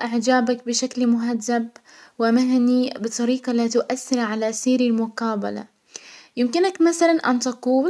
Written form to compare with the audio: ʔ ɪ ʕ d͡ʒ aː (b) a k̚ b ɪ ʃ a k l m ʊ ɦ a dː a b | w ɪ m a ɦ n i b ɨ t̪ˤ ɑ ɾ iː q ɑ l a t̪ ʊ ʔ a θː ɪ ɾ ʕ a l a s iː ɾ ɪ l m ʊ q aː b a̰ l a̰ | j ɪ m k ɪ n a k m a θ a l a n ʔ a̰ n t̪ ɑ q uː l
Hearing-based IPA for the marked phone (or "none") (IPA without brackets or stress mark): b